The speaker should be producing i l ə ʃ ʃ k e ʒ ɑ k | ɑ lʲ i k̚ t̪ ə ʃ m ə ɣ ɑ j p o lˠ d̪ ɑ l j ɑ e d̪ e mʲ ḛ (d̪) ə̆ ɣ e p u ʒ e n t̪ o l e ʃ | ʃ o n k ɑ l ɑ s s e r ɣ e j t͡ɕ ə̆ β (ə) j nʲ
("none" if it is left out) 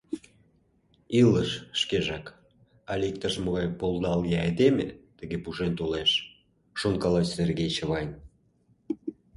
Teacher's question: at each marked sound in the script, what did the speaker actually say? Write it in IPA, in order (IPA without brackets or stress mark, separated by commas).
t̪, ɑ